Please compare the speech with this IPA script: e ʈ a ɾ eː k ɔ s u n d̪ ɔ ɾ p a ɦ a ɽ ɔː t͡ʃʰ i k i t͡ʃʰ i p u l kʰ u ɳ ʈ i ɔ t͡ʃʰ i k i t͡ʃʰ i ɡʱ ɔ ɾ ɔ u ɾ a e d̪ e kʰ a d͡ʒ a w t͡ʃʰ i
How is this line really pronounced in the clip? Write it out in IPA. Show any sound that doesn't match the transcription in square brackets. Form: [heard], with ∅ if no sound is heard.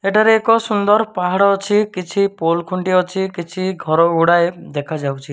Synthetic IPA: e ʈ a ɾ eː k ɔ s u n d̪ ɔ ɾ p a ɦ a ɽ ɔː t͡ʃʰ i k i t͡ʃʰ i p [o] l kʰ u ɳ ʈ i ɔ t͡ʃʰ i k i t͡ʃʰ i ɡʱ ɔ ɾ ɔ u [ɽ] a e d̪ e kʰ a d͡ʒ a w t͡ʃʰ i